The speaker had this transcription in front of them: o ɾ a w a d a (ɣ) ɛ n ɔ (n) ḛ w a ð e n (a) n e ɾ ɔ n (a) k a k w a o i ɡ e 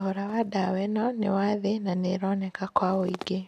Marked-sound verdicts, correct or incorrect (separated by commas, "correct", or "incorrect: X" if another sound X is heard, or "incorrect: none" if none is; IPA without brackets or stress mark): incorrect: w, correct, correct, incorrect: ɛ